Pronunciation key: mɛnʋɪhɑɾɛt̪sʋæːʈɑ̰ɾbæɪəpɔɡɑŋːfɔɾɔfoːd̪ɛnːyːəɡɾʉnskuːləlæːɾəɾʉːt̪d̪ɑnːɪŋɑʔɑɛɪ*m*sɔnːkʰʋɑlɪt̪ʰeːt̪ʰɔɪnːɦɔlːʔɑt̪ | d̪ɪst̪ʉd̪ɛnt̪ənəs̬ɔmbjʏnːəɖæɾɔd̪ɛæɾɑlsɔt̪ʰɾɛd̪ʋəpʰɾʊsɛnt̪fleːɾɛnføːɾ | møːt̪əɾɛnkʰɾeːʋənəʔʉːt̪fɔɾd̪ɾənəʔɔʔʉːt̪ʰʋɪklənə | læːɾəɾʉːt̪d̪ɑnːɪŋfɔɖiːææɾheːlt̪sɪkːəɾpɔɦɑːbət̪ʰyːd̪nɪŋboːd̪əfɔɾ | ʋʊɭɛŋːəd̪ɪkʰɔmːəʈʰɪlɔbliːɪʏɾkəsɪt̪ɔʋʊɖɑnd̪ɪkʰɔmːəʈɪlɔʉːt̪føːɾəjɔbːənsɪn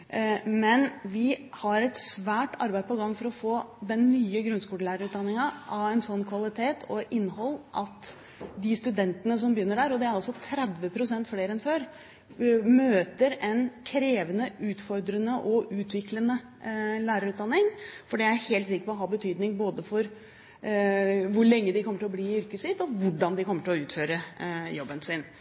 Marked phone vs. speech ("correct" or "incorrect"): incorrect